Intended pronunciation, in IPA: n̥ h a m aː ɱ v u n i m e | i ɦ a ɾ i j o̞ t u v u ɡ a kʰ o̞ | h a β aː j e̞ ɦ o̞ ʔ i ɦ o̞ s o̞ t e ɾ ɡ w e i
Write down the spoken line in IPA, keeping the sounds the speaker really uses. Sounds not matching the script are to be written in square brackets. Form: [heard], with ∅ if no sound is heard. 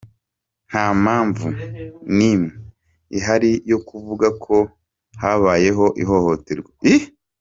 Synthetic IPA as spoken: n̥ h a m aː ɱ v u n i m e | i ɦ a ɾ i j o̞ [k] u v u ɡ a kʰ o̞ | h a β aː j e̞ ɦ o̞ ʔ i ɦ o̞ [h] o̞ t e ɾ ɡ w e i